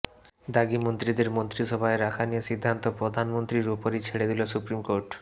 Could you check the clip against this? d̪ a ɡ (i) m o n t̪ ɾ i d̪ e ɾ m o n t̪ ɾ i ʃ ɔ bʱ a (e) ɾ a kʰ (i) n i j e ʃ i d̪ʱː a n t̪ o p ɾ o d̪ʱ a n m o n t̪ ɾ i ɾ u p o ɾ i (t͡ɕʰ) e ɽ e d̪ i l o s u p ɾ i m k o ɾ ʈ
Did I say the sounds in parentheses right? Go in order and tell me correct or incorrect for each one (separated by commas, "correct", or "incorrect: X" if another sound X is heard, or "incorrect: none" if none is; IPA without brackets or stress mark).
correct, correct, incorrect: a, correct